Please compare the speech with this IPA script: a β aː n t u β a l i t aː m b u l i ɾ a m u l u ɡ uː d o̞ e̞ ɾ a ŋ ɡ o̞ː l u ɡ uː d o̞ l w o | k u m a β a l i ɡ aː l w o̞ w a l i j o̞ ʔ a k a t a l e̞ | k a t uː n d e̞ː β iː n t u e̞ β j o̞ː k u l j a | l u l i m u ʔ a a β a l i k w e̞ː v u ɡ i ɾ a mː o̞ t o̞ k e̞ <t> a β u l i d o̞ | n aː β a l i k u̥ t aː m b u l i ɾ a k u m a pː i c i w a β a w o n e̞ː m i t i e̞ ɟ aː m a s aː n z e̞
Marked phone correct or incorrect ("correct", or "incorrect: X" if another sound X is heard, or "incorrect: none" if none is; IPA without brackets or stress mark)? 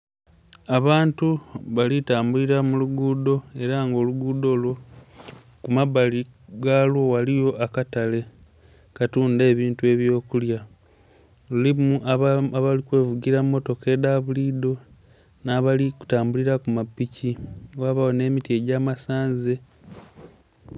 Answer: incorrect: d